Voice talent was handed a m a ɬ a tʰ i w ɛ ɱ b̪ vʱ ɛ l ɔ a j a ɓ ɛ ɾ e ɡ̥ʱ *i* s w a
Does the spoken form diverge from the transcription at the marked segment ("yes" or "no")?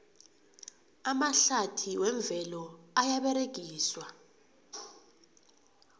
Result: yes